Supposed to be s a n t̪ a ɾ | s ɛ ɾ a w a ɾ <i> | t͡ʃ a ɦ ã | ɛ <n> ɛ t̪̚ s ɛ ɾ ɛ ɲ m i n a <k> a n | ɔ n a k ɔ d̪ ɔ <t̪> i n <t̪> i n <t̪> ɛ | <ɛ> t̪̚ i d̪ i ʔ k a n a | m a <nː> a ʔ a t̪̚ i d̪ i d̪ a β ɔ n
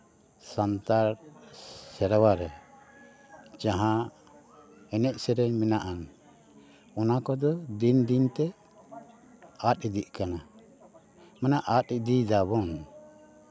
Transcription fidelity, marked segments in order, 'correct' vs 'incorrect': incorrect: ɛ, correct, incorrect: ʔ, incorrect: d̪, incorrect: d̪, correct, incorrect: a, incorrect: n

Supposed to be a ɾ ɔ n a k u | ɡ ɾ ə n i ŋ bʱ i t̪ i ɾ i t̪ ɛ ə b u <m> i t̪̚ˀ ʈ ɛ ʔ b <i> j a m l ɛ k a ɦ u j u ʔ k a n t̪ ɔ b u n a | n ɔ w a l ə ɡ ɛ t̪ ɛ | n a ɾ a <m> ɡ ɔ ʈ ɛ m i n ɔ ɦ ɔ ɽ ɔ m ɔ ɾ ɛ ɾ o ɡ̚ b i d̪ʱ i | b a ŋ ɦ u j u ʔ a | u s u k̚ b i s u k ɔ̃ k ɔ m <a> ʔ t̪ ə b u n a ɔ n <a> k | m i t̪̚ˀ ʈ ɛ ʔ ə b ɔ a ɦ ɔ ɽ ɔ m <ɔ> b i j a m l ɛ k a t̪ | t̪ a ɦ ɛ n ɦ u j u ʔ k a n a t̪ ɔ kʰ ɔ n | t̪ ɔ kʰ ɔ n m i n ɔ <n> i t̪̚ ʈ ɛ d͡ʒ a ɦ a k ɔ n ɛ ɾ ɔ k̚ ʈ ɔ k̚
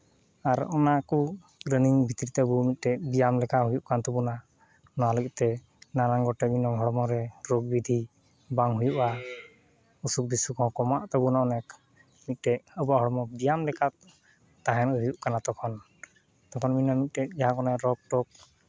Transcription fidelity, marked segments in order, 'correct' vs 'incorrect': correct, correct, incorrect: ŋ, correct, incorrect: ɛ, correct, incorrect: m

